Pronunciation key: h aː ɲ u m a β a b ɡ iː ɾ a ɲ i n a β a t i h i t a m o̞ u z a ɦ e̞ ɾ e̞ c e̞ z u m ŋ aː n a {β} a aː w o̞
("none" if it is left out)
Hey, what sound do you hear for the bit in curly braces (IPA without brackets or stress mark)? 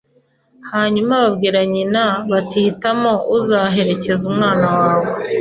w